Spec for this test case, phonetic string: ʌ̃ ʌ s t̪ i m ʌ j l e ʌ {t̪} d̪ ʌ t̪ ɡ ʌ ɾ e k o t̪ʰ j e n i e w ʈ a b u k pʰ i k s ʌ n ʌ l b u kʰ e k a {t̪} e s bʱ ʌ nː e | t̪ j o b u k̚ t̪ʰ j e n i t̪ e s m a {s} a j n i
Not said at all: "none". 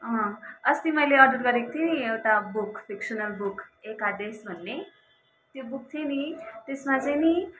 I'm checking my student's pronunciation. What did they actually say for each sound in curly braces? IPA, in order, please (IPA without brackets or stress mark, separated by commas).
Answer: none, d̪, t͡s